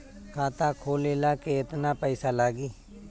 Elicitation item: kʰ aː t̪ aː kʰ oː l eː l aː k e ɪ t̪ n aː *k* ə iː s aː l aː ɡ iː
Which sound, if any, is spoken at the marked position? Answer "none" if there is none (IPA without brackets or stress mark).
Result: p